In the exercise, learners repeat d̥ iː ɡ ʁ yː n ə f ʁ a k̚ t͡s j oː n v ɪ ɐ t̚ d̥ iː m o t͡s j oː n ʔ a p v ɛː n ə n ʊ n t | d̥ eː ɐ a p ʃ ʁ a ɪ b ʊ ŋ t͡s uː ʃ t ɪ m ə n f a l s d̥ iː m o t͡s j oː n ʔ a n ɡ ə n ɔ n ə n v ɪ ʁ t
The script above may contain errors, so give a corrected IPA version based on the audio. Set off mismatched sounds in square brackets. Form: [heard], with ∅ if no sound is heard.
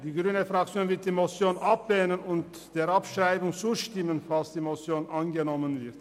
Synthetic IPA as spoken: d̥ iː ɡ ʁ yː n ə f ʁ a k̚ t͡s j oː n v ɪ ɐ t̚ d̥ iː m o t͡s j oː n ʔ a p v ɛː n ə n ʊ n t | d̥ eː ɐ a p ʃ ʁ a ɪ b ʊ ŋ t͡s uː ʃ t ɪ m ə n f a l s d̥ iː m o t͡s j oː n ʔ a n ɡ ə n ɔ [m] ə n v ɪ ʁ t